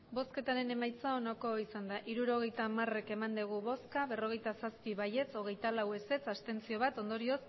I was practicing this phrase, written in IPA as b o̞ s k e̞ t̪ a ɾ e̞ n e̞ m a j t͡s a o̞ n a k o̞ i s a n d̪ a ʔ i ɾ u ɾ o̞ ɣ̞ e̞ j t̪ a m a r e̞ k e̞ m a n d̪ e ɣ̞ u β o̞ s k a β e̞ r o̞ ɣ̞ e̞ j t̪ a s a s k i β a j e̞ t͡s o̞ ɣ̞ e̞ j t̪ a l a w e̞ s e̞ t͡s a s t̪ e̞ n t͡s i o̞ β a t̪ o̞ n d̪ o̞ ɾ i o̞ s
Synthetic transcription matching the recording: b o̞ s k e̞ t̪ a ɾ e̞ n e̞ m a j t͡s a o̞ n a k o̞ i s a n d̪ a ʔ i ɾ u ɾ o̞ ɣ̞ e̞ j t̪ a m a r e̞ k e̞ m a n d̪ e ɣ̞ u β o̞ s k a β e̞ r o̞ ɣ̞ e̞ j t̪ a s a s p i β a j e̞ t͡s o̞ ɣ̞ e̞ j t̪ a l a w e̞ s e̞ t͡s a s t̪ e̞ n t͡s i o̞ β a t̪ o̞ n d̪ o̞ ɾ i o̞ s